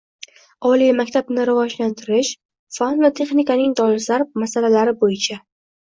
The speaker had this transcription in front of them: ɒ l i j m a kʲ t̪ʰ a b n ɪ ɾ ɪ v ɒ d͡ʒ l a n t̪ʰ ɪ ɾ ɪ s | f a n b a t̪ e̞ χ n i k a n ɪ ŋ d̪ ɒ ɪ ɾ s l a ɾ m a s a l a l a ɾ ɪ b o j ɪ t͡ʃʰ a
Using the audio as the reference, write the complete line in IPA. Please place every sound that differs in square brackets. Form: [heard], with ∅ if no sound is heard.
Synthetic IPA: ɒ l i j m a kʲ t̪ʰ a b n ɪ ɾ ɪ v ɒ d͡ʒ l a n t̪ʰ ɪ ɾ ɪ [ʃ] | f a n [v] a [t̪ʰ] e̞ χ n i k a n ɪ ŋ d̪ ɒ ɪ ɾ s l a ɾ m a s a l a l a ɾ ɪ b o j ɪ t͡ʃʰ a